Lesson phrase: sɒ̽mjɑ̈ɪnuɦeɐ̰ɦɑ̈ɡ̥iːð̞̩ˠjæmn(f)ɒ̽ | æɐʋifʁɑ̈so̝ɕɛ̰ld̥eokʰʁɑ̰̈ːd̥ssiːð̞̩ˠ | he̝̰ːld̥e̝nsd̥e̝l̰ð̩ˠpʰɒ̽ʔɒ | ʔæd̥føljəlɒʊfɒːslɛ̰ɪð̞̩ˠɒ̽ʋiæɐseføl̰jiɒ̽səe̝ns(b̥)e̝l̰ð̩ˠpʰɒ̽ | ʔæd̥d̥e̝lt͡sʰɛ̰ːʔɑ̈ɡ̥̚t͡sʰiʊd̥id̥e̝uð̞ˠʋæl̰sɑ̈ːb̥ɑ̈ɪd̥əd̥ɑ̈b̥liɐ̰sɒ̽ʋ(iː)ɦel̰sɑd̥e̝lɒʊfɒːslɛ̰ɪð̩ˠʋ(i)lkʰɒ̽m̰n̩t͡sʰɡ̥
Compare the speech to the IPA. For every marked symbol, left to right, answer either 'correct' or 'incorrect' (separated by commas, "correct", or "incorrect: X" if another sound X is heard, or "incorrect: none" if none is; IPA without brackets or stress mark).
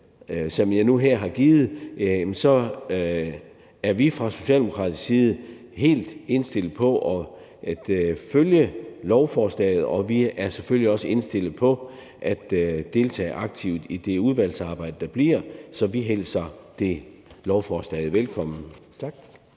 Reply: incorrect: s, incorrect: d̥, incorrect: i, incorrect: e